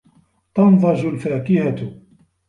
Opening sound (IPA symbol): t̪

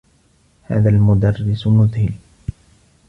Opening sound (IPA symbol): h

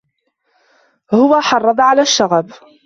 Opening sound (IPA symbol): h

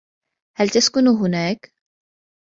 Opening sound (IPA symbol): h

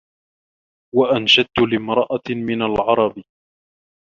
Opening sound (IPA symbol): w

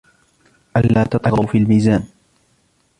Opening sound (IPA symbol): ʔ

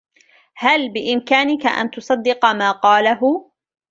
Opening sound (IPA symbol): h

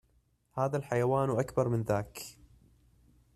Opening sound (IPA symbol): h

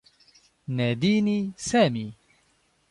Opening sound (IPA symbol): n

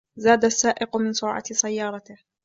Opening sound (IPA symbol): z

